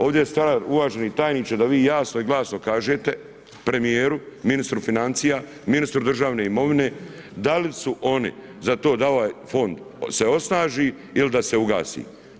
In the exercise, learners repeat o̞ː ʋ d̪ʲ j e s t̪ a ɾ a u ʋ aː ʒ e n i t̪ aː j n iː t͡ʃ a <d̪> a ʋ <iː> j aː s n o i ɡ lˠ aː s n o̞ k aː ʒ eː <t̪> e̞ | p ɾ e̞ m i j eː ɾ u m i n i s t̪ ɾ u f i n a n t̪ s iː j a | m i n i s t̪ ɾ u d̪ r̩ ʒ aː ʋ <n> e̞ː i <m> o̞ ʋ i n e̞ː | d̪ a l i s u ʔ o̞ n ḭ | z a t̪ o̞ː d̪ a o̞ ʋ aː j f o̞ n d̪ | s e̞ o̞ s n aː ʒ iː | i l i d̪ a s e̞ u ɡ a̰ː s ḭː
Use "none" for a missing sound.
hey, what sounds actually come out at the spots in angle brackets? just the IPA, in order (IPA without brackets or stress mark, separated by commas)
d̪, iː, t̪, n, m